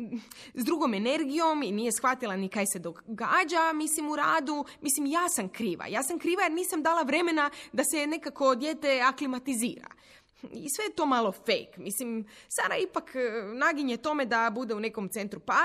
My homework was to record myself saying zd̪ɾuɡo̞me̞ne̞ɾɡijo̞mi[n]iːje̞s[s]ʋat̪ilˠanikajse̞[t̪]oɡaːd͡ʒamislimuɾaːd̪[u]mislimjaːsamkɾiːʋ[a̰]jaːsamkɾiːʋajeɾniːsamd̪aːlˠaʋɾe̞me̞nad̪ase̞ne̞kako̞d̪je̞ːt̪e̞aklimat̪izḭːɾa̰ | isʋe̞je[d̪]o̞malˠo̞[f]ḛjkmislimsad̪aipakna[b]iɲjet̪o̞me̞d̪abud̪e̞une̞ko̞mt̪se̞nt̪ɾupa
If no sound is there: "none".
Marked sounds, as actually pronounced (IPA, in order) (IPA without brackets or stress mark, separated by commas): n, x, d̪, u, a̰, t̪, f, ɡ